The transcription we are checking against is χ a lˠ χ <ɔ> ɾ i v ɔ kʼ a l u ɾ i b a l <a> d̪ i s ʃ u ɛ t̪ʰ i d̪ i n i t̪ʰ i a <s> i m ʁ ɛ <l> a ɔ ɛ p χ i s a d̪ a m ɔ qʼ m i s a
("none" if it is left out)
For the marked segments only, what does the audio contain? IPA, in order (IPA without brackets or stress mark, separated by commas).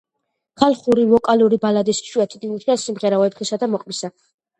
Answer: u, a, s, ɾ